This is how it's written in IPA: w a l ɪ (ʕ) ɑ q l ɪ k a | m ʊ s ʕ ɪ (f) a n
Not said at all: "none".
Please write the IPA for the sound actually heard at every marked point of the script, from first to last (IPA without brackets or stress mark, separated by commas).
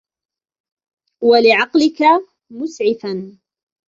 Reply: ʕ, f